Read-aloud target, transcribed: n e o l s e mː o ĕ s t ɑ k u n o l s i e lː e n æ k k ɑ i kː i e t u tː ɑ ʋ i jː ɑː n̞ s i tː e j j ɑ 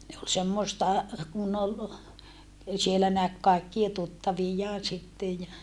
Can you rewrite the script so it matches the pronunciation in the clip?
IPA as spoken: n e o l s e mː o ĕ s t ɑ k u n o l s i e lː æ n æ k k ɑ i kː i e t u tː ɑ ʋ i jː ɑː n̞ s i tː e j j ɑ